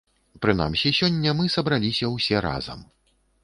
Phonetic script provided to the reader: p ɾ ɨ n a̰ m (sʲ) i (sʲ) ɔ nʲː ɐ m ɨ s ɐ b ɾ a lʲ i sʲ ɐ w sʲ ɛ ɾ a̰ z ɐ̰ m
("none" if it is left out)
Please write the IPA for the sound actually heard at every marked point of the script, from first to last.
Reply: sʲ, sʲ

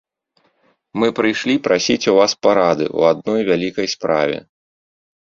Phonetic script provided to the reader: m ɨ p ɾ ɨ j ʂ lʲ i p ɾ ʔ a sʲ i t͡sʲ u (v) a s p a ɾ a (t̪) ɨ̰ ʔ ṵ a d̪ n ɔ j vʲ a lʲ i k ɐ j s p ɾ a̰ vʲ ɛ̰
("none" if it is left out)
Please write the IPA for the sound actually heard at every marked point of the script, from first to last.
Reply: v, d̪

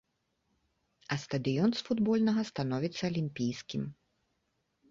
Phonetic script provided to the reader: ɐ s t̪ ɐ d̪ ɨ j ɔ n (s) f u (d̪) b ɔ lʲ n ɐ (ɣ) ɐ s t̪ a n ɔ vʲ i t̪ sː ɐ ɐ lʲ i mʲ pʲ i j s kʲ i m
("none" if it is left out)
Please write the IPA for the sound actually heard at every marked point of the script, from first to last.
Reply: s, d̪, ɣ

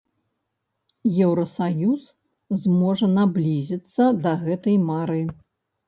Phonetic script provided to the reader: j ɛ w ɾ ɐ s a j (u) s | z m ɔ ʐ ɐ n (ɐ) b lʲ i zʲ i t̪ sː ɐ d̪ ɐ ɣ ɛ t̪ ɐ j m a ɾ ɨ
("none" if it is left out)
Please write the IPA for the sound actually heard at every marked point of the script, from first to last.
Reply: u, a

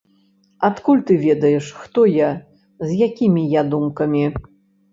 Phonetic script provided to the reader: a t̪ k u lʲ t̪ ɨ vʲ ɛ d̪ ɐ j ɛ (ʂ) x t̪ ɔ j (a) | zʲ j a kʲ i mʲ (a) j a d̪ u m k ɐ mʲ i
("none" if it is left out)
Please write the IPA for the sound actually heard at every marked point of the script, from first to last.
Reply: ʂ, a, i

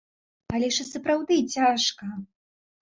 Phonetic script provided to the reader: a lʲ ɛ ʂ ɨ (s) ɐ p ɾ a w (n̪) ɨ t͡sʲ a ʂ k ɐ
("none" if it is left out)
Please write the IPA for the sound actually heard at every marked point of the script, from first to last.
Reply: s, d̪

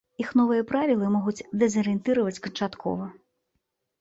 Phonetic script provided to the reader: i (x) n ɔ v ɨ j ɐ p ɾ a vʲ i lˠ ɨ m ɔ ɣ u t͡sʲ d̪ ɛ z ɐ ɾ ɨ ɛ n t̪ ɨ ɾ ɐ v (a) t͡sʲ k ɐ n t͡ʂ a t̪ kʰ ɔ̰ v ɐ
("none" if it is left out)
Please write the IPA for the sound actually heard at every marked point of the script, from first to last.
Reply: x, ɐ

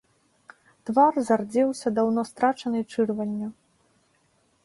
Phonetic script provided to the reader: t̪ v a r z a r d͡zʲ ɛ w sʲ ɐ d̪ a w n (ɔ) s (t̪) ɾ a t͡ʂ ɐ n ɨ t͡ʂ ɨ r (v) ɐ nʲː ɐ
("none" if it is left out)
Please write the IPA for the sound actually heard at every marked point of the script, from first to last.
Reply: ɔ, t̪, v

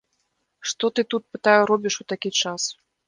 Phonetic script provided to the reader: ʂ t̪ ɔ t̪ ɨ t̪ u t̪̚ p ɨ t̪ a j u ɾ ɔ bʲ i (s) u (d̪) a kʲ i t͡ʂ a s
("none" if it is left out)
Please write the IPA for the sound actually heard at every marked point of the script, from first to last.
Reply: ʂ, t̪

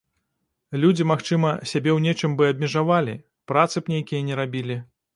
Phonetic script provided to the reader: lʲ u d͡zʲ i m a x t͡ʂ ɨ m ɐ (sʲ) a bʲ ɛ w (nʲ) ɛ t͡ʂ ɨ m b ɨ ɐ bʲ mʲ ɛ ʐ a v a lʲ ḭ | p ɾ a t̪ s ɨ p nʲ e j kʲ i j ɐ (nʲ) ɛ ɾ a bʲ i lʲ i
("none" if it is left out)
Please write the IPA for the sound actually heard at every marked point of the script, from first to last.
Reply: sʲ, nʲ, nʲ

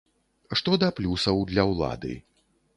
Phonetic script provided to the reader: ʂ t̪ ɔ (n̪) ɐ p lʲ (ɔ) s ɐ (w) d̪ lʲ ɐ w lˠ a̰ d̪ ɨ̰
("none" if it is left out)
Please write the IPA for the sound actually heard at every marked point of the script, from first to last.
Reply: d̪, u, w

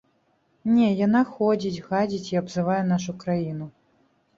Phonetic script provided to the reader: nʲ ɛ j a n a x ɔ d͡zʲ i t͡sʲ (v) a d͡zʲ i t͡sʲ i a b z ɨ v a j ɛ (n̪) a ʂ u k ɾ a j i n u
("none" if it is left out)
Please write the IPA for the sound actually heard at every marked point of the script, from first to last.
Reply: ɣ, n̪

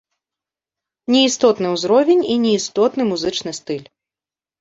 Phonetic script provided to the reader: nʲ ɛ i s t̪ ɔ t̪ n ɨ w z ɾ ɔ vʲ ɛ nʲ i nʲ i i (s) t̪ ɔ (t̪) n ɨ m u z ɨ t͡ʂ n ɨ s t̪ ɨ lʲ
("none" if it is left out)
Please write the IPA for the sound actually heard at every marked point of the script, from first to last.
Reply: s, t̪

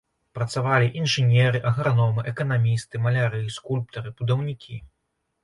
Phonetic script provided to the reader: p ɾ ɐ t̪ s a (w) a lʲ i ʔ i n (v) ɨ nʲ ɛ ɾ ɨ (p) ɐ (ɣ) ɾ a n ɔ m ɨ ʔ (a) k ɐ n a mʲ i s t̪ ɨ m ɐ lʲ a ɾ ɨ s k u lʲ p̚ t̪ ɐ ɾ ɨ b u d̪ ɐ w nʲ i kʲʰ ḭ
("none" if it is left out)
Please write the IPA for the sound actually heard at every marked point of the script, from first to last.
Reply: v, ʐ, ʔ, ɣ, ɛ

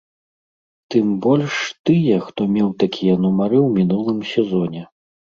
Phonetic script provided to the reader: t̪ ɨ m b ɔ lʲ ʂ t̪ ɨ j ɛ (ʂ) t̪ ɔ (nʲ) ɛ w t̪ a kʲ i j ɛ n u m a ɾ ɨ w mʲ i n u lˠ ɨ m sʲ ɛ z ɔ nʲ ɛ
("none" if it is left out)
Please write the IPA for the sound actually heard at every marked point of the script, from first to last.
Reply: x, mʲ

